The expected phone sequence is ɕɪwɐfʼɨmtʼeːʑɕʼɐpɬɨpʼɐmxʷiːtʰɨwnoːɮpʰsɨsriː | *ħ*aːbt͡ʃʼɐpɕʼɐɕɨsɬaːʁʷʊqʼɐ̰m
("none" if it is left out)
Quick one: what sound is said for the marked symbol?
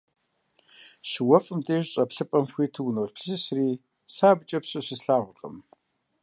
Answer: s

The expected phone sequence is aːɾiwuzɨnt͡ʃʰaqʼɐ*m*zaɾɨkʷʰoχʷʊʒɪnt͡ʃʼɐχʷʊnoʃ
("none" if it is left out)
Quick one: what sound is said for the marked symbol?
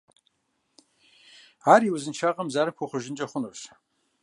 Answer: m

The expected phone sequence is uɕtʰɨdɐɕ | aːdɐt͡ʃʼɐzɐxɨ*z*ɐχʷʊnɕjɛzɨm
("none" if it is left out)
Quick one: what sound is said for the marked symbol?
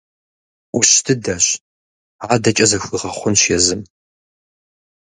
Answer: ʁ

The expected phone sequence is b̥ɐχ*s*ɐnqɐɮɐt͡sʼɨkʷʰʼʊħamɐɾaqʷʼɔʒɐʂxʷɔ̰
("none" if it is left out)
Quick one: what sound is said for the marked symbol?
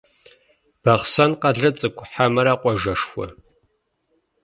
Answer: s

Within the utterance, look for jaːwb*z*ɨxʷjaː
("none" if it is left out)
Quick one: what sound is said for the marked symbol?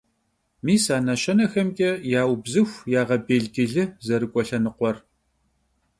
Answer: z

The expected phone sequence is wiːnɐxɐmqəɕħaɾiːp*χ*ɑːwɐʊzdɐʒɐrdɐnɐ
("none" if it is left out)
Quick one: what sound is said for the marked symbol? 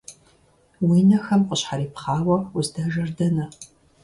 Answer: χ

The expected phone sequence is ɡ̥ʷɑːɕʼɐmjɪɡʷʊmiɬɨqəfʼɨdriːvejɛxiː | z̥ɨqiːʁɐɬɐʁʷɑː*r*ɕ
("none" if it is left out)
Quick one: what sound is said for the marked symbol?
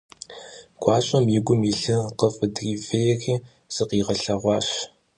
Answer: none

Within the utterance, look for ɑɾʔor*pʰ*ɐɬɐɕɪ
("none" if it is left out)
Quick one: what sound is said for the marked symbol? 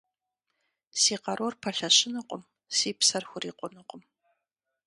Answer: pʰ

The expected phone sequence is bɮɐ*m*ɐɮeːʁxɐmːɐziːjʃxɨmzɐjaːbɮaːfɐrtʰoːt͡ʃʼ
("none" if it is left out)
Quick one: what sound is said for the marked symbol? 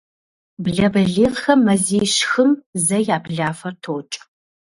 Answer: b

